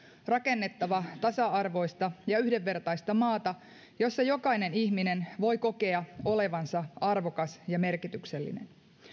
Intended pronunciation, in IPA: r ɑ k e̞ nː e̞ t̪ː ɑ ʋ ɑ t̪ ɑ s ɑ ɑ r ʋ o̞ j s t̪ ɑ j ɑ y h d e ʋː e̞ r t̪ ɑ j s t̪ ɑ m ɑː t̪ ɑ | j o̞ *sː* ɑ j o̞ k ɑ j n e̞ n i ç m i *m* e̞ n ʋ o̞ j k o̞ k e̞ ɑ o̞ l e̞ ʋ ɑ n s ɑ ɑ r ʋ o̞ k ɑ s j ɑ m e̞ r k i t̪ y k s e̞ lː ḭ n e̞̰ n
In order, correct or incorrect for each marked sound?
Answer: correct, incorrect: n

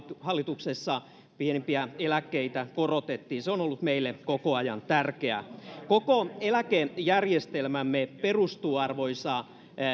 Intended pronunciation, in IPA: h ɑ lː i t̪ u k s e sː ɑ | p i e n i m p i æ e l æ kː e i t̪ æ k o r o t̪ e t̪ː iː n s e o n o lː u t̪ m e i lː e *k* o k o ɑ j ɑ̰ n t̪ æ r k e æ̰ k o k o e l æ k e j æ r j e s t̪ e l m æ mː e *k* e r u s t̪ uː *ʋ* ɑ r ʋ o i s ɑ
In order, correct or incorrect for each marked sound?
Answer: correct, incorrect: p, incorrect: none

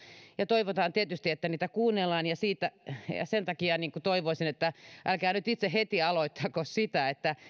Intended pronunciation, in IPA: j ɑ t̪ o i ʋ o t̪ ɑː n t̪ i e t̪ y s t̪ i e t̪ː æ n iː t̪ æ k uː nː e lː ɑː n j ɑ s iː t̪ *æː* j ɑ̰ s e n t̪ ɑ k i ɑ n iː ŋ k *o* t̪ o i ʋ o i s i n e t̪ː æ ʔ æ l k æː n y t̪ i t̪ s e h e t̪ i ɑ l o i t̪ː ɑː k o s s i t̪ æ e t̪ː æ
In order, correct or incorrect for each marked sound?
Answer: incorrect: æ, incorrect: u

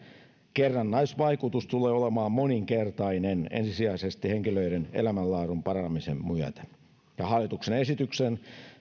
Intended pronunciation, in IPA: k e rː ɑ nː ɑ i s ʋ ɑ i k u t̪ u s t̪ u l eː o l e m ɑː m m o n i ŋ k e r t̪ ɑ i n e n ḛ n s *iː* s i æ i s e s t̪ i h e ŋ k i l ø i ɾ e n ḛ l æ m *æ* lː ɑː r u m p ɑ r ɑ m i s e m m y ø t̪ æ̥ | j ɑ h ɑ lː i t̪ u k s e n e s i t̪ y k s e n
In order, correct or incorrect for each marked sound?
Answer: incorrect: i, correct

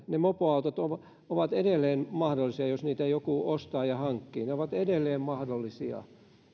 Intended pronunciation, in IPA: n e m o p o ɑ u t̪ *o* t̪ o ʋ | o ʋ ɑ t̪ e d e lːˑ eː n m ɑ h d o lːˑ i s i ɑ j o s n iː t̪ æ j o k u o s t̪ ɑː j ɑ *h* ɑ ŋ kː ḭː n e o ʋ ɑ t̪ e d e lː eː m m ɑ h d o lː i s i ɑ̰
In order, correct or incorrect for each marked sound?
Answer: correct, correct

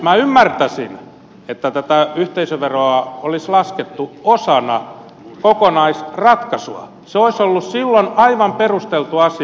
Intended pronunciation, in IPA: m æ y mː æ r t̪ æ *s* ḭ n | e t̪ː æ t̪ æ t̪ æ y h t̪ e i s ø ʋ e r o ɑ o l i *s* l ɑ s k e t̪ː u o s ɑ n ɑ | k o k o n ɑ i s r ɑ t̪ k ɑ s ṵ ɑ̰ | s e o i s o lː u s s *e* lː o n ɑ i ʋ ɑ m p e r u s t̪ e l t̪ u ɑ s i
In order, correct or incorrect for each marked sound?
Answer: correct, correct, incorrect: i

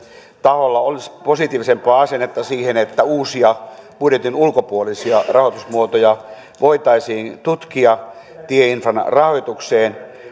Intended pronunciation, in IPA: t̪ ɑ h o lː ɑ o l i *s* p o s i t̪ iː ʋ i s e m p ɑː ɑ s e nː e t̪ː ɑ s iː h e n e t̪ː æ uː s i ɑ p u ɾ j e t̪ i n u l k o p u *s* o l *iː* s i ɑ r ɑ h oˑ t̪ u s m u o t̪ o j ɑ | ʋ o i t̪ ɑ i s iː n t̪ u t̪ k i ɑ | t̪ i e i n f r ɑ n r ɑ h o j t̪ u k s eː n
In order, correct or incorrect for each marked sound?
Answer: correct, incorrect: none, incorrect: i

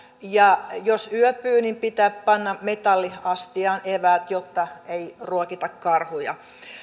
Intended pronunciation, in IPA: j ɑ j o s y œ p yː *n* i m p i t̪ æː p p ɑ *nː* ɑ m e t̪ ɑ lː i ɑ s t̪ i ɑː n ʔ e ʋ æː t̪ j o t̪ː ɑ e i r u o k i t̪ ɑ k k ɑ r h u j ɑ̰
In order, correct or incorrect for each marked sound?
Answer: correct, correct

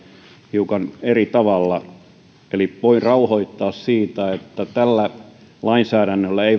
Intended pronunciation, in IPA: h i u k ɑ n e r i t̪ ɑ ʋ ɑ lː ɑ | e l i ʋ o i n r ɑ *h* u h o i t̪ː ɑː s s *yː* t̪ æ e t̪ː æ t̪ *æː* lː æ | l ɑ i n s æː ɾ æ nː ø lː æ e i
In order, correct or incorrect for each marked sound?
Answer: incorrect: none, incorrect: iː, incorrect: æ

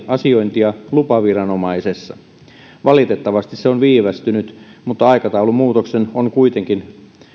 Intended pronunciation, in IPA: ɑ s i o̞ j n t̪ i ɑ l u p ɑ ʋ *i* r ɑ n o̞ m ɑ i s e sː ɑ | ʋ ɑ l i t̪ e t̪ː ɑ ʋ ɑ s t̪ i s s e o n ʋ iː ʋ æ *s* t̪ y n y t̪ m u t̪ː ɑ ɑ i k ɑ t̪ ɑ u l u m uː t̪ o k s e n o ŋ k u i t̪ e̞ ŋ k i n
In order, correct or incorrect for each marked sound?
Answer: correct, correct

